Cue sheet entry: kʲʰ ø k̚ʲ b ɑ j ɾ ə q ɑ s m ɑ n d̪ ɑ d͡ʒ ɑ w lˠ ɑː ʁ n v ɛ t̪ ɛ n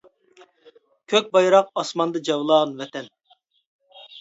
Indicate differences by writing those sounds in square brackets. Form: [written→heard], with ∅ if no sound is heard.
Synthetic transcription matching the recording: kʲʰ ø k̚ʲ b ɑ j ɾ [ə→ɑ] q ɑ s m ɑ n d̪ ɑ d͡ʒ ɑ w lˠ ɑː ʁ n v ɛ t̪ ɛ n